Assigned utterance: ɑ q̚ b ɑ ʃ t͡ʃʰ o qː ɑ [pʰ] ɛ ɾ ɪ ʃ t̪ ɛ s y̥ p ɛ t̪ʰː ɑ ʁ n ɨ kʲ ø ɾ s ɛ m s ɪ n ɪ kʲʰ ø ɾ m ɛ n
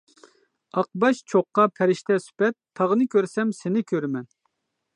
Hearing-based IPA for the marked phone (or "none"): pʰ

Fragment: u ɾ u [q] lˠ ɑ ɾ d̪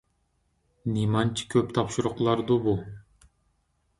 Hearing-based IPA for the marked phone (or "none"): q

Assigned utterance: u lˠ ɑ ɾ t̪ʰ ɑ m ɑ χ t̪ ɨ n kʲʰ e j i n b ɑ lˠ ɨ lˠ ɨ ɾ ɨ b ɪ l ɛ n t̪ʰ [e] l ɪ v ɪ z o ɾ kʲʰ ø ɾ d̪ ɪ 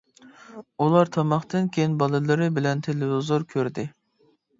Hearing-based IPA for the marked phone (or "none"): e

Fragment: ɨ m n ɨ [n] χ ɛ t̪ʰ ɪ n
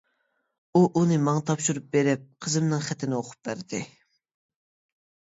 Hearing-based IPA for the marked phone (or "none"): ŋ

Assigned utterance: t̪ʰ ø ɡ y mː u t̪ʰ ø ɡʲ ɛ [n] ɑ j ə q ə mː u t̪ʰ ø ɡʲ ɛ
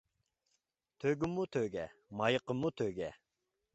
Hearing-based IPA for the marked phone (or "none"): m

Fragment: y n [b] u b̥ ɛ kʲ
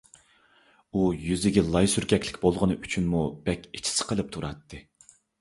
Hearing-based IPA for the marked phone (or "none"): m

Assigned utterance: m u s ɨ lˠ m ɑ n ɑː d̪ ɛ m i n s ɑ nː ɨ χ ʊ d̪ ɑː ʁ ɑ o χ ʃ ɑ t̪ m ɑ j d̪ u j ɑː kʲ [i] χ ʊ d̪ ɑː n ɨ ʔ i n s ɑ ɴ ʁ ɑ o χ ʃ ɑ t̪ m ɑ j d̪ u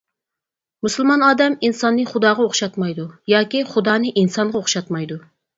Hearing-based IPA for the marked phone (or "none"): i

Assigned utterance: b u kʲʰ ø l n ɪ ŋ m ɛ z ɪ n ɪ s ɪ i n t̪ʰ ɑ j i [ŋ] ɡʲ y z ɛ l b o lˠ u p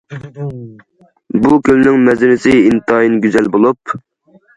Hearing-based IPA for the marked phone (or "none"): n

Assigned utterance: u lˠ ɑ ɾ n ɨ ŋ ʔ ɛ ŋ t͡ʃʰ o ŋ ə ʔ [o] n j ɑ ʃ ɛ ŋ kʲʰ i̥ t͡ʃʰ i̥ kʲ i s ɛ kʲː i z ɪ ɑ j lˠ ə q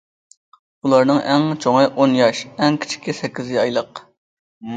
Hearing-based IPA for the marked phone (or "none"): o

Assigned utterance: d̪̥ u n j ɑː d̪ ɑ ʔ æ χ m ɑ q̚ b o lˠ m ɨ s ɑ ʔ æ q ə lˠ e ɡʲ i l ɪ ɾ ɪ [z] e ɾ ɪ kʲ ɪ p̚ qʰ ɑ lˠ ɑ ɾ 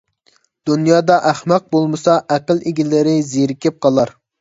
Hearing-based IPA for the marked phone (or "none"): z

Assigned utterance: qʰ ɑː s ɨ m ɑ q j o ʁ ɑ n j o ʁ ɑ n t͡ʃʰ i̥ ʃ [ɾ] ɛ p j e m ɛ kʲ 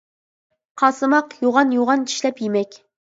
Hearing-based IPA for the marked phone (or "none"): l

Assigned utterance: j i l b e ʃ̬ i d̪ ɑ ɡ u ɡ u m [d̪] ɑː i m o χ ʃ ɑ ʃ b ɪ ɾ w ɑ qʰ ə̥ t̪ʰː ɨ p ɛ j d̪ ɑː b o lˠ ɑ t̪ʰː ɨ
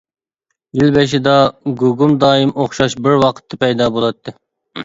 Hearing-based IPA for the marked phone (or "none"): d̪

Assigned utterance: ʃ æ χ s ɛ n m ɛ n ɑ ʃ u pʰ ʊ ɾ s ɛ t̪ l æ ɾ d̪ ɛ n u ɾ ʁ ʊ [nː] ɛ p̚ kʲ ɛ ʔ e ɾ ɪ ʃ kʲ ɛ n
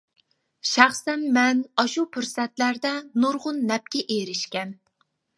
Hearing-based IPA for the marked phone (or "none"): nː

